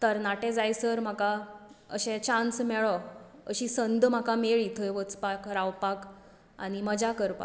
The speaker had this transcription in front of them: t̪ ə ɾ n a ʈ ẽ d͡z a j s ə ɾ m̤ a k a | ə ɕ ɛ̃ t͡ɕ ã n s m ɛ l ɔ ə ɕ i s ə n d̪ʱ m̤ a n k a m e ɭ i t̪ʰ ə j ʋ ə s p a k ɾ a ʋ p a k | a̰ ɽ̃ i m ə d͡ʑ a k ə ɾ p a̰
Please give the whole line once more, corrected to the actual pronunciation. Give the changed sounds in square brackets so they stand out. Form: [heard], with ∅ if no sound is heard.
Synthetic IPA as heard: t̪ ə ɾ n a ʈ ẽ d͡z a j s ə ɾ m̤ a k a | ə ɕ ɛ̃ t͡ɕ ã n s m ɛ [ɭ] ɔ ə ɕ i s ə n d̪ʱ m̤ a [∅] k a m e ɭ i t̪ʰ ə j ʋ ə [t͡s] p a k ɾ a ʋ p a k | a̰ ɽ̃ i m ə d͡ʑ a k ə ɾ p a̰